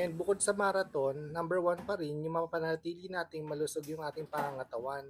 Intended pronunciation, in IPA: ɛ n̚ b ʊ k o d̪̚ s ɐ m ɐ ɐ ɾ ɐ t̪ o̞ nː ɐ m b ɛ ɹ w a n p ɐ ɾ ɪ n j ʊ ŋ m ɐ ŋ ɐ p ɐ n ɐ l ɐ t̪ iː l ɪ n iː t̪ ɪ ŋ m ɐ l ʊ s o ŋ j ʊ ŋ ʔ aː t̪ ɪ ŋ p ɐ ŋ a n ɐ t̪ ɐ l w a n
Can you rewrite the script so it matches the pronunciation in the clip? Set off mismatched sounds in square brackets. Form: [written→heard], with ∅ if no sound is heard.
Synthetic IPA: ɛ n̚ b ʊ k o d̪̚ s ɐ m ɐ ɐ ɾ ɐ t̪ o̞ nː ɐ m b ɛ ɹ w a n p ɐ ɾ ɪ n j ʊ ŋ m ɐ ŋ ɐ p ɐ n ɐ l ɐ t̪ iː l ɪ n [iː→aː] t̪ ɪ ŋ m ɐ l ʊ s o [ŋ→ɡ] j ʊ ŋ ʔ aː t̪ ɪ ŋ p ɐ ŋ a [n→ŋ] ɐ t̪ ɐ [l→∅] w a n